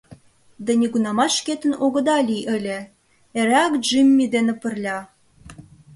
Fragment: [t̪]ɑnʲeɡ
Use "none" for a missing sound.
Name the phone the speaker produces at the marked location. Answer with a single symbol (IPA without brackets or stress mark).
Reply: d̪